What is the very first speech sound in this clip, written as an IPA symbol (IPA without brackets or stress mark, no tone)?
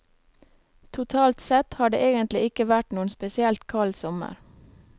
t̪ʰ